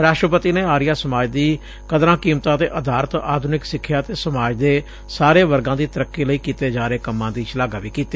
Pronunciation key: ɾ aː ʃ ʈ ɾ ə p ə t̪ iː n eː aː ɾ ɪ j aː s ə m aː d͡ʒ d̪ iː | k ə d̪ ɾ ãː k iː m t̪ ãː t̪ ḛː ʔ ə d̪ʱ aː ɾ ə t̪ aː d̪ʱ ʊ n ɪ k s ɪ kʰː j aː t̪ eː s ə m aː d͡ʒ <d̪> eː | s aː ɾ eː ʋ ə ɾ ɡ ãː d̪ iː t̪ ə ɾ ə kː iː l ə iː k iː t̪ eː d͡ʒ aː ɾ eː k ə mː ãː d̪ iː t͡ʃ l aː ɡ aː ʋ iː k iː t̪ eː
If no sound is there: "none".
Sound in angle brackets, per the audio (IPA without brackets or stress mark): d̪